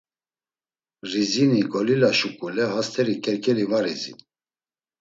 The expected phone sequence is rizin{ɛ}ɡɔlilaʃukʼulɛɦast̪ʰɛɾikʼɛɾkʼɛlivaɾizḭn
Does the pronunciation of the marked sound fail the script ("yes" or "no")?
yes